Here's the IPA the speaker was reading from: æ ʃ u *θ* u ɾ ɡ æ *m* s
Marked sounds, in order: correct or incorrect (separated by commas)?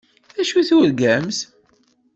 correct, correct